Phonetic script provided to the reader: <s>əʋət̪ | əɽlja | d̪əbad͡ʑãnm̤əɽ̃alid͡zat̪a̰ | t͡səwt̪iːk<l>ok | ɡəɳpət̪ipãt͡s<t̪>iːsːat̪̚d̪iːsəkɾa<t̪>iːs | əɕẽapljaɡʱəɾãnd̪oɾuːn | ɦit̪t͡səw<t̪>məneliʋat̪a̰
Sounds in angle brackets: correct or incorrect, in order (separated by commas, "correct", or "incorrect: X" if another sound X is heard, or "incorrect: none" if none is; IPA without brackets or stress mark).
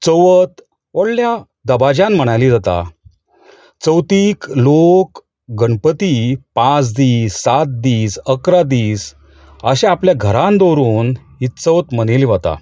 incorrect: t͡s, correct, incorrect: d̪, incorrect: d̪, correct